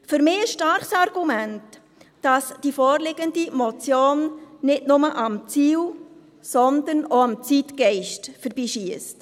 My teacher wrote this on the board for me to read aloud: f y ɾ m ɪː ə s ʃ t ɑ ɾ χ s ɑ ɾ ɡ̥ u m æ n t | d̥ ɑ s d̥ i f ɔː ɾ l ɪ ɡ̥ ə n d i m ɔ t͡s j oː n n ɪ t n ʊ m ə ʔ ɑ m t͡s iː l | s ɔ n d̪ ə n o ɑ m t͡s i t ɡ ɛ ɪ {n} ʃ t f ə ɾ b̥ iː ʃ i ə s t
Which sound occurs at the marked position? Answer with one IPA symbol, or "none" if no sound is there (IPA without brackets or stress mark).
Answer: none